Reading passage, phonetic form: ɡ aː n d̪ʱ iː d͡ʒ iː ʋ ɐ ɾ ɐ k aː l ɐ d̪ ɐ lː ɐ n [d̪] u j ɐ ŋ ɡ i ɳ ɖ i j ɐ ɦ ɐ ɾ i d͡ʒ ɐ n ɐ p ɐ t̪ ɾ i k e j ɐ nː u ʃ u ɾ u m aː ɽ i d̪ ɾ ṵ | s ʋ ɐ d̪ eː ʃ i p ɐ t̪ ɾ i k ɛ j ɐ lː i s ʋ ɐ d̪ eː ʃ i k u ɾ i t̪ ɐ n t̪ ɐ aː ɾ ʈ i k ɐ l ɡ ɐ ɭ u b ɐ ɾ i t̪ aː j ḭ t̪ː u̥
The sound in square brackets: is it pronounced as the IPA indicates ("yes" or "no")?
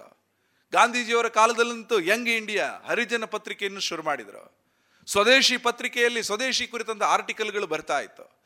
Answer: no